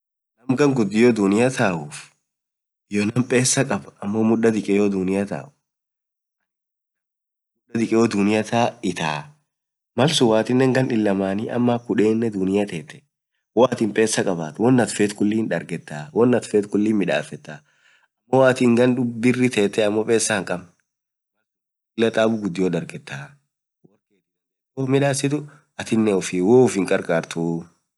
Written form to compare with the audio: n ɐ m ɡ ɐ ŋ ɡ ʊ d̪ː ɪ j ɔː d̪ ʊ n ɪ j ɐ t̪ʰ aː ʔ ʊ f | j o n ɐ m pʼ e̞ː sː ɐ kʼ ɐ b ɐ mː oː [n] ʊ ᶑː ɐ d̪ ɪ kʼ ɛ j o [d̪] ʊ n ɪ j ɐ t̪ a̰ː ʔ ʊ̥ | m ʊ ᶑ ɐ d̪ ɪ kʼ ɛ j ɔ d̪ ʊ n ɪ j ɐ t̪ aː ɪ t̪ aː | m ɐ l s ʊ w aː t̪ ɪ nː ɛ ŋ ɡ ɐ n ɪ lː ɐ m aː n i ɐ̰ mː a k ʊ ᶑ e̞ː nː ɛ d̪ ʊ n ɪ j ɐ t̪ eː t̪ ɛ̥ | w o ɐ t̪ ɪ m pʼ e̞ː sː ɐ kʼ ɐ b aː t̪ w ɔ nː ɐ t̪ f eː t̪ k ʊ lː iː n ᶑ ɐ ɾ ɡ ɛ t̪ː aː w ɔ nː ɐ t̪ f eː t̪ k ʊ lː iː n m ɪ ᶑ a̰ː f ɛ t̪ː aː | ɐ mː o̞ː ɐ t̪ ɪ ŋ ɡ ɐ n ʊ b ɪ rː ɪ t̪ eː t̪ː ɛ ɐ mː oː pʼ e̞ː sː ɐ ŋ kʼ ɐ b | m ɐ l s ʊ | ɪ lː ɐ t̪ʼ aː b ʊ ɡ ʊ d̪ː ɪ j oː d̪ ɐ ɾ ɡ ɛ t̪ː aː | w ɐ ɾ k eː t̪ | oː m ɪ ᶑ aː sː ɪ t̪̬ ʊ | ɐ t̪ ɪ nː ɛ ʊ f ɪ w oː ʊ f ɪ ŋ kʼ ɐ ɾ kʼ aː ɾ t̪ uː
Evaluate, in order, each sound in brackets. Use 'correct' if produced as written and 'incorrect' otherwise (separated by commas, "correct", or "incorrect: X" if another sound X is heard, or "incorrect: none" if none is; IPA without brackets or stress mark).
incorrect: m, correct